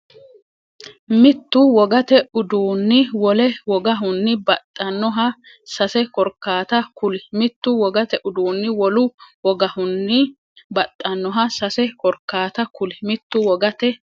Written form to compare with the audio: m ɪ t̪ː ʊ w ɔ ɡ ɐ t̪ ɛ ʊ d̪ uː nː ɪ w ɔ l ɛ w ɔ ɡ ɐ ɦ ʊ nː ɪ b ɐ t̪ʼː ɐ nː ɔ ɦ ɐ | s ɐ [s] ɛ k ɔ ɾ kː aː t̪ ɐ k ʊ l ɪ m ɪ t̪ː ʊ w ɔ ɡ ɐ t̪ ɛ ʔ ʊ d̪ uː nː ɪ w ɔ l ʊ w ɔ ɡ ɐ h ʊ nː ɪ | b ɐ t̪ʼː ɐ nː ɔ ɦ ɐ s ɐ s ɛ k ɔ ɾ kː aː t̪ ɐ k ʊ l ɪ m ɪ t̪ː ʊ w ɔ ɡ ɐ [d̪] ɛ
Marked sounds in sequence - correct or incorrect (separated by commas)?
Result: correct, incorrect